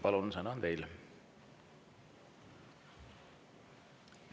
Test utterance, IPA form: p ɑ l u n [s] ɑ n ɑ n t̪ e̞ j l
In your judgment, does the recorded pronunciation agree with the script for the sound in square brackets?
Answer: yes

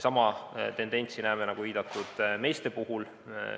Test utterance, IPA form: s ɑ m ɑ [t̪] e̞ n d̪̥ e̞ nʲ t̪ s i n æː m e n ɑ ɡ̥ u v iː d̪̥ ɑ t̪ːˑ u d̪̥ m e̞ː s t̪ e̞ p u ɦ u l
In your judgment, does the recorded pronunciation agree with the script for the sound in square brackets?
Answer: yes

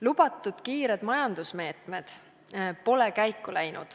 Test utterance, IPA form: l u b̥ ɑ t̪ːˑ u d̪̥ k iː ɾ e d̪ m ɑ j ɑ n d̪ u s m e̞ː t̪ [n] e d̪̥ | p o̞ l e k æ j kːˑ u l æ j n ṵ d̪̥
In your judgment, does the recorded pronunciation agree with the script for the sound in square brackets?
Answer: no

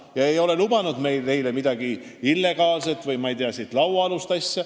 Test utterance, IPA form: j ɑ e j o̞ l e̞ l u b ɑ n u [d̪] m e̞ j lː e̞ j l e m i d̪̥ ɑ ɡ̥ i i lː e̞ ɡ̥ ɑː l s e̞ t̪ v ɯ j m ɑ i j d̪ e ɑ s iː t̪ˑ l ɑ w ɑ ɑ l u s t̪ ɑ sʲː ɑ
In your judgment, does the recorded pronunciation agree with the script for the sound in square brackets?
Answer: yes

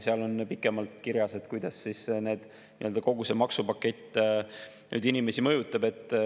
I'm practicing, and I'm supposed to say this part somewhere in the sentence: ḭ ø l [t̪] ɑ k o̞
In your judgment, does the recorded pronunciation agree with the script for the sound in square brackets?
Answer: no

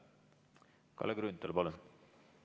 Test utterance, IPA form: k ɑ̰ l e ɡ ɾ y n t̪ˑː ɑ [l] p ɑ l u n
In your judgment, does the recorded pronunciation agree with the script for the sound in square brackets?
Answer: yes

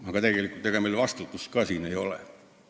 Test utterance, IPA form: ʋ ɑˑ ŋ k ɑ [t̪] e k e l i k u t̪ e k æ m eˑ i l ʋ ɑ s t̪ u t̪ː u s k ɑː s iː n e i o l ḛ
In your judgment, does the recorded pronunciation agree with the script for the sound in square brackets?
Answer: yes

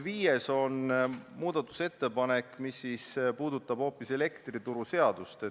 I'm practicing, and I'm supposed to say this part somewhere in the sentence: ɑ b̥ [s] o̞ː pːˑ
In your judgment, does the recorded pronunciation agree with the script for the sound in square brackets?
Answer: no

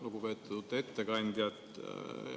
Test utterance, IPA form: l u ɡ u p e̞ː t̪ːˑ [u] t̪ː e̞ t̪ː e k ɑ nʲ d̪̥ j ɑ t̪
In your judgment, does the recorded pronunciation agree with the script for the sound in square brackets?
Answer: yes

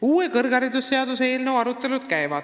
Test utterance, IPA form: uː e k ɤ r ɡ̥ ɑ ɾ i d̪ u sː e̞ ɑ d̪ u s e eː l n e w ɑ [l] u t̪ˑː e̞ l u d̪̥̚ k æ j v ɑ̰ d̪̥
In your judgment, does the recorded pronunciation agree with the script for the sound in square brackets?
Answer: no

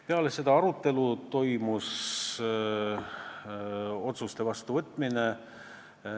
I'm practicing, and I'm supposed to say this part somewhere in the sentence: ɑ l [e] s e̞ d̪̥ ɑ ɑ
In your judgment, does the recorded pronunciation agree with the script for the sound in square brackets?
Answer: yes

